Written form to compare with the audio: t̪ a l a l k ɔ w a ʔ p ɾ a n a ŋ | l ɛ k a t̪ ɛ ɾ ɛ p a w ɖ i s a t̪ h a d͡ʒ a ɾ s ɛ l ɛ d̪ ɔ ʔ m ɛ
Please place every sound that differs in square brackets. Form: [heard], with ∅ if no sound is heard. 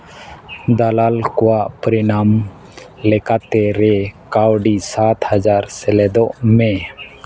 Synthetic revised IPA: [d̪] a l a l k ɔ w a ʔ p ɾ [i] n a [m] | l ɛ k a t̪ ɛ ɾ ɛ [k] a w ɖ i s a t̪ h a d͡ʒ a ɾ s ɛ l ɛ d̪ ɔ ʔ m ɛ